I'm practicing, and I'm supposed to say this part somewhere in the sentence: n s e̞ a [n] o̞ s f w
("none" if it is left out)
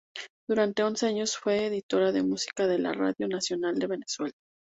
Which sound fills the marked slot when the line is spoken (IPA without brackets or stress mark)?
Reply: ɲ